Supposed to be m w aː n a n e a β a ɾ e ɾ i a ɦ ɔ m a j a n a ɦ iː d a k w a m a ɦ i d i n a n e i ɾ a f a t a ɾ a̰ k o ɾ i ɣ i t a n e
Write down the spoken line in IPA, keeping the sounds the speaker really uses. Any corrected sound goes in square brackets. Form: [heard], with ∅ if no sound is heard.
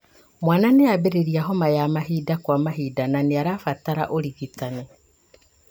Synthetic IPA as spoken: m w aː n a n e a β [e] ɾ e ɾ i a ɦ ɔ m a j a [m] a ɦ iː d a k w a m a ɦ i d [a] n a n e [a] ɾ a f a t a ɾ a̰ [ʔ] o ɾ i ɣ i t a n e